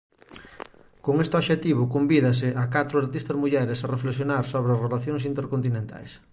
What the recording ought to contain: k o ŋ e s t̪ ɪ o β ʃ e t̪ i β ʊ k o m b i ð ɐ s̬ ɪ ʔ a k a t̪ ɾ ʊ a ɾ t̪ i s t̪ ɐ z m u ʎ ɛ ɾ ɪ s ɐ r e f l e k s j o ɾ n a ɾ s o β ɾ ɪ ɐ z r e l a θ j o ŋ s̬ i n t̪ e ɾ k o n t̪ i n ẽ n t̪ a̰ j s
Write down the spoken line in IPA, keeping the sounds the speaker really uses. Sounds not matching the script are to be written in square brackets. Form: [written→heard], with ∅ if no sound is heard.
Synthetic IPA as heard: k o ŋ e s t̪ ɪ o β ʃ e t̪ i β ʊ k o m b i ð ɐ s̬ ɪ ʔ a k a t̪ ɾ ʊ a ɾ t̪ i s t̪ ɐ z m u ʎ ɛ ɾ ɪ s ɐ r e f l e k s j o [ɾ→∅] n a ɾ s o β ɾ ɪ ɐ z r e l a θ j o ŋ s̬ i n t̪ e ɾ k o n t̪ i n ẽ n t̪ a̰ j s